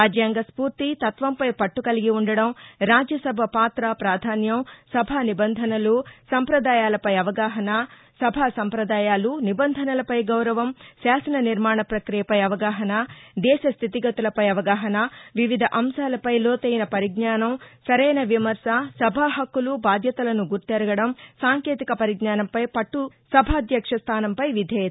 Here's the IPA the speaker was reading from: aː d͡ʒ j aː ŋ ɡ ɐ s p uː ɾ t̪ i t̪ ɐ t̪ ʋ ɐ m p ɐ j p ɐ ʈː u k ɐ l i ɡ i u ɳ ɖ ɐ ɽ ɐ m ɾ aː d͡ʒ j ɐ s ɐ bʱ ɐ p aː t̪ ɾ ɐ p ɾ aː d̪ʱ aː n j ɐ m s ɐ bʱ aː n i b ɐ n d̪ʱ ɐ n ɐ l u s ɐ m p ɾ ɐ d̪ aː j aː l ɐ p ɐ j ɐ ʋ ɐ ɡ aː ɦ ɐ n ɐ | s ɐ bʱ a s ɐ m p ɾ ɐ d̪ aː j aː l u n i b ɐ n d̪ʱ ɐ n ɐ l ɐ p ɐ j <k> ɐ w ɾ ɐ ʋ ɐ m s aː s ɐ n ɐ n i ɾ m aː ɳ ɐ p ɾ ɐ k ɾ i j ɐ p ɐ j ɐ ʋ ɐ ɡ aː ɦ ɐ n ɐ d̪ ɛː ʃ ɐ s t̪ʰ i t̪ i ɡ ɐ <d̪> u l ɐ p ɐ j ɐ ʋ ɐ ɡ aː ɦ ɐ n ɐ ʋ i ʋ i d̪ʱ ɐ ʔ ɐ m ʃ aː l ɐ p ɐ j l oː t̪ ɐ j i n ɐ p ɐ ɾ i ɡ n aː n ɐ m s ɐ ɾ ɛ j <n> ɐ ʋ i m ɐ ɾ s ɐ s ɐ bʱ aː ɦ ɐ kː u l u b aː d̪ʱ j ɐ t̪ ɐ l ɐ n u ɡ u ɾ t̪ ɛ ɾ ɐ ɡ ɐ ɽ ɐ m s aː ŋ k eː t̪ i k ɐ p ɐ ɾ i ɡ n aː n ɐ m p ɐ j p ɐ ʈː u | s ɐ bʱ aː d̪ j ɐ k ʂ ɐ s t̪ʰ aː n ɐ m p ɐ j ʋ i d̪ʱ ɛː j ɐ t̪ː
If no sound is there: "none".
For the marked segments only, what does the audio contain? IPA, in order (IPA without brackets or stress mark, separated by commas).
ɡ, t̪, n